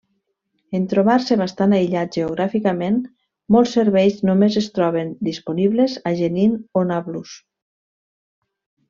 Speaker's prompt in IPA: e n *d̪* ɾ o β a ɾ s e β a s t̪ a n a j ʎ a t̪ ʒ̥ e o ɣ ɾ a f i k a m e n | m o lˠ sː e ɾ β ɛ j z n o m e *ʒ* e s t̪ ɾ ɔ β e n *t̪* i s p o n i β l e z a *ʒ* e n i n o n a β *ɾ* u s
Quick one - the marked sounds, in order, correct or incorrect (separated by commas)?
incorrect, incorrect, incorrect, correct, incorrect